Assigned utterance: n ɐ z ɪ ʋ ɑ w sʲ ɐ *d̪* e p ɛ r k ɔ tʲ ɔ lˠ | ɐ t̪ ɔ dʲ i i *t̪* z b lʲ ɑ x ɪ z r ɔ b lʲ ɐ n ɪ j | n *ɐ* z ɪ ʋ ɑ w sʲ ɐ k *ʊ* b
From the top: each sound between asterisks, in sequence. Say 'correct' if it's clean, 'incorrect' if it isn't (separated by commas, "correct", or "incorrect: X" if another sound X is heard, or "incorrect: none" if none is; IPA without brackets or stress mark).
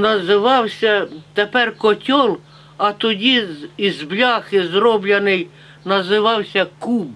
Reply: incorrect: t̪, incorrect: none, correct, incorrect: u